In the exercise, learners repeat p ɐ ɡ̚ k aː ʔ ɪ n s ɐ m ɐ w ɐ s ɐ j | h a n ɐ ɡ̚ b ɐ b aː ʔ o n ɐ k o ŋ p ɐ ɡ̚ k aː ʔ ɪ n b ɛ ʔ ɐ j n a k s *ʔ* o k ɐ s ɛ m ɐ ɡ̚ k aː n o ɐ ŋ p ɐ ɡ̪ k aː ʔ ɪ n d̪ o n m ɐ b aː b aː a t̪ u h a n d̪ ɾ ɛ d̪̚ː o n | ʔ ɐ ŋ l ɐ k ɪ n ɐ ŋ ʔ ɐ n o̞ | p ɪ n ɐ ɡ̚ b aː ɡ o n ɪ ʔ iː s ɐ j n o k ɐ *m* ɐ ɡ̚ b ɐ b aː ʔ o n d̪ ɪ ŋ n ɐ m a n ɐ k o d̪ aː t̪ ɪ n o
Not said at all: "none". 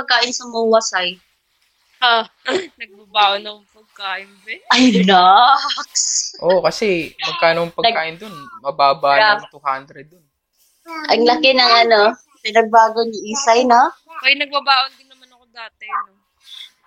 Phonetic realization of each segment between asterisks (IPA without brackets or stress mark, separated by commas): ʔ, n